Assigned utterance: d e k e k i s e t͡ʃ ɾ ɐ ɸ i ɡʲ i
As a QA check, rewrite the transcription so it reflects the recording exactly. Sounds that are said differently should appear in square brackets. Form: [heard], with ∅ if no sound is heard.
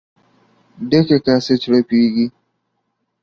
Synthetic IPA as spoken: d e k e k [a] s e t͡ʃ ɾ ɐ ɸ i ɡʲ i